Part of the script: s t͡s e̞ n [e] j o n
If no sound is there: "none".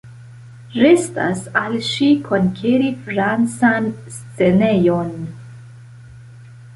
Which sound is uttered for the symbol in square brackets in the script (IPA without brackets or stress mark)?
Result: e